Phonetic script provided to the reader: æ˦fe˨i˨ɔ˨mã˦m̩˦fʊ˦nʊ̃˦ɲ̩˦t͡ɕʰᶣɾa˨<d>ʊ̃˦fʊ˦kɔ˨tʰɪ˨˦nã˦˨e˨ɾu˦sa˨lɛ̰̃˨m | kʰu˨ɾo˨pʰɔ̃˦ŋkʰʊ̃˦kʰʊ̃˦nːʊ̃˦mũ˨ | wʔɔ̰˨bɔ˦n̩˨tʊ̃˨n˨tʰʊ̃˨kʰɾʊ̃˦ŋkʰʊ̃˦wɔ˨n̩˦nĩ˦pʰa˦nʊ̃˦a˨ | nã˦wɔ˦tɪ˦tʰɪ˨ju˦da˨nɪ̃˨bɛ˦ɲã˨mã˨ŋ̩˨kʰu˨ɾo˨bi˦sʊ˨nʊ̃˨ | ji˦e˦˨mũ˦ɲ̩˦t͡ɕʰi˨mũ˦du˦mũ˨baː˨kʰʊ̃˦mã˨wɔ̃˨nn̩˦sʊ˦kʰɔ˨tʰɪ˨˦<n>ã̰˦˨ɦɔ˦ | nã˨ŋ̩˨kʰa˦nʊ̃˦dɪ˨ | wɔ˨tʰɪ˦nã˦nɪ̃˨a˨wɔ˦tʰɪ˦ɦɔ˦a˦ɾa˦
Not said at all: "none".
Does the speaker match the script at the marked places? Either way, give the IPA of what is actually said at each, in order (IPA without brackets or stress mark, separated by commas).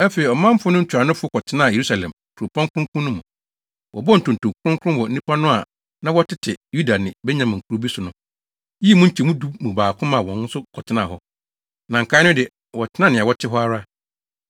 n, n